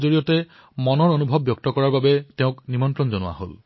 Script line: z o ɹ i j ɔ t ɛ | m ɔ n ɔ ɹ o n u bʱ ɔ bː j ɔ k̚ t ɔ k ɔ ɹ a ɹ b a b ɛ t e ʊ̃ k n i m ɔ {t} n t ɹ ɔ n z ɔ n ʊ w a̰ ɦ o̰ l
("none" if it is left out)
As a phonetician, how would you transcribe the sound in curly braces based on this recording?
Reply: none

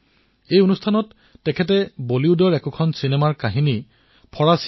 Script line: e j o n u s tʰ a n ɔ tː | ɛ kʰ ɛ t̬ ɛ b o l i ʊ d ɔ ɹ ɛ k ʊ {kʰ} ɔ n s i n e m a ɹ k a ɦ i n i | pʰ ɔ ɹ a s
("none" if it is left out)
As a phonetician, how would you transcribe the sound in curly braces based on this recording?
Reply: kʰ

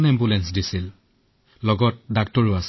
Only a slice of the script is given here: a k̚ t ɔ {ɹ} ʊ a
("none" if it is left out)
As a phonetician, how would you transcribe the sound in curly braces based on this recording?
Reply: ɹ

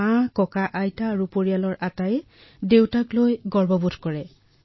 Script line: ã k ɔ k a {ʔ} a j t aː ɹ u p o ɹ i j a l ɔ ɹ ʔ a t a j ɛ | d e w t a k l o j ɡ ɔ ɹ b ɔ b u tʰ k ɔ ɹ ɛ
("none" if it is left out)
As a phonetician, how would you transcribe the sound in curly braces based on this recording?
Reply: ʔ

